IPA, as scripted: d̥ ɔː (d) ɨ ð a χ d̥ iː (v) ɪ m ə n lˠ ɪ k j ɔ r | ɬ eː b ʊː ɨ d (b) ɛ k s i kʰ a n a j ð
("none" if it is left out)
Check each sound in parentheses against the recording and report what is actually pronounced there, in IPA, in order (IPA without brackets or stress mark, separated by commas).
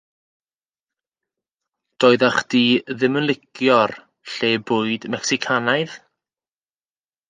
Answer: none, ð, m